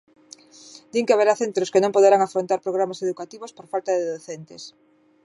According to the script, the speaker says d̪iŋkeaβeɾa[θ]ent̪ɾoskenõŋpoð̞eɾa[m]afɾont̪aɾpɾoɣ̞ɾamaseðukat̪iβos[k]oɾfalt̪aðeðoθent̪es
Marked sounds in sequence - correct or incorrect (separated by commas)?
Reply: correct, incorrect, incorrect